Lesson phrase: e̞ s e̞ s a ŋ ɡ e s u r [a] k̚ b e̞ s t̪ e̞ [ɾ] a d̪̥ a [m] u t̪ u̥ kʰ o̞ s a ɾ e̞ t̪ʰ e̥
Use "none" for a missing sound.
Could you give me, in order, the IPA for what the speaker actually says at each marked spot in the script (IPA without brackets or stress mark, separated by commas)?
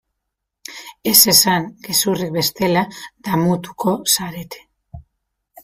i, l, m